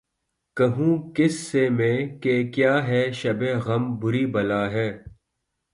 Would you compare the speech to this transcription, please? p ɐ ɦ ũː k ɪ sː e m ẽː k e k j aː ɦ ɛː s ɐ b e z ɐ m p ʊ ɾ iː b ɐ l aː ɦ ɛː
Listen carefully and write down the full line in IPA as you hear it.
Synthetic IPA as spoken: k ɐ ɦ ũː k ɪ sː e m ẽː k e k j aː ɦ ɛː ʃ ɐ b e ɣ ɐ m b ʊ ɾ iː b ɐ l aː ɦ ɛː